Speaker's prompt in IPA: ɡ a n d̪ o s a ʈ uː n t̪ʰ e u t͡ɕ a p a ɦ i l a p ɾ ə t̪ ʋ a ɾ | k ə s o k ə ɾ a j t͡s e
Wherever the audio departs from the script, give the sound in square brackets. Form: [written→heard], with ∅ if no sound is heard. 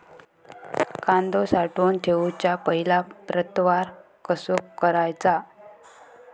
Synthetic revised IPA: [ɡ→k] a n d̪ o s a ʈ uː n t̪ʰ e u t͡ɕ a p [a→ə] ɦ i l a p ɾ ə t̪ ʋ a ɾ | k ə s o k ə ɾ a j t͡s [e→a]